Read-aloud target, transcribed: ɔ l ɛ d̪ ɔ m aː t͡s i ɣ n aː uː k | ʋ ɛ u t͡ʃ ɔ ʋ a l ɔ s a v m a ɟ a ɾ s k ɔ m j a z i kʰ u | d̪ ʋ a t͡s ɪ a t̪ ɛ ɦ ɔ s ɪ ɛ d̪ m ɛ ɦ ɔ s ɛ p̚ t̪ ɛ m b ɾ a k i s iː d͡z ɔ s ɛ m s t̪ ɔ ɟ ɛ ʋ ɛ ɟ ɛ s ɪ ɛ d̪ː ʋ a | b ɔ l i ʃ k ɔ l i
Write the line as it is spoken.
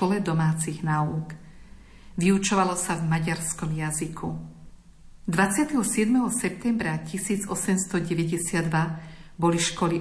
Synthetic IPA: ɔ l ɛ d̪ ɔ m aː t͡s i ɣ n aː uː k | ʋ i u t͡ʃ ɔ ʋ a l ɔ s a v m a ɟ a ɾ s k ɔ m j a z i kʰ u | d̪ ʋ a t͡s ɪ a t̪ ɛ ɦ ɔ s ɪ ɛ d̪ m ɛ ɦ ɔ s ɛ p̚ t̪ ɛ m b ɾ a c i s iː d͡z ɔ s ɛ m s t̪ ɔ ɟ ɛ ʋ ɛ ɟ ɛ s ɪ a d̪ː ʋ a | b ɔ l i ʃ k ɔ l i